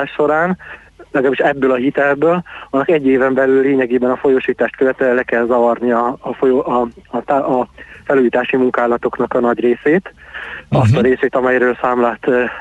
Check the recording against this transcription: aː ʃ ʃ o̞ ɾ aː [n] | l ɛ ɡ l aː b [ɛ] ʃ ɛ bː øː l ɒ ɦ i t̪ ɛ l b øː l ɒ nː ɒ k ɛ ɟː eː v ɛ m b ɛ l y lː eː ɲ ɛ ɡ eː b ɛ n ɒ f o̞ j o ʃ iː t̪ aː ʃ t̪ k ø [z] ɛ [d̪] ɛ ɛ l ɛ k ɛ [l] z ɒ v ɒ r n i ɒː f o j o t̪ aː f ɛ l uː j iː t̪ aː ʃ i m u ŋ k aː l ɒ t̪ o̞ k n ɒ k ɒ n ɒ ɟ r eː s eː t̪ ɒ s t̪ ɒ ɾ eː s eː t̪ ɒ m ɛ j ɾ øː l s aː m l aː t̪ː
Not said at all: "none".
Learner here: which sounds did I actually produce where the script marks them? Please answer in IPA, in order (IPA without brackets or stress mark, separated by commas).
n, i, v, t̪, l